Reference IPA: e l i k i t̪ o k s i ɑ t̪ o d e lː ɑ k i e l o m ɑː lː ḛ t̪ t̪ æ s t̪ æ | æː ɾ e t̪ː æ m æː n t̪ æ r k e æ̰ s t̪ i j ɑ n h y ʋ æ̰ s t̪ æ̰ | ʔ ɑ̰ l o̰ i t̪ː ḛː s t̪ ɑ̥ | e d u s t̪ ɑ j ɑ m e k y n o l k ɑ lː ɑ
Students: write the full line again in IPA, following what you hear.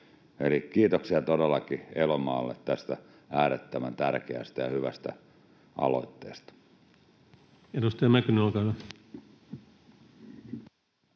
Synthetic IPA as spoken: e l i k iː t̪ o k s i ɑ t̪ o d e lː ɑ k i e l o m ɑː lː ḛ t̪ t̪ æ s t̪ æ | æː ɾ e t̪ː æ m æ n t̪ æ r k e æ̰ s t̪ æ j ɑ h y ʋ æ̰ s t̪ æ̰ | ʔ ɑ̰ l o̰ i t̪ː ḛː s t̪ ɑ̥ | e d u s t̪ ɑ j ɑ m æ k y n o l k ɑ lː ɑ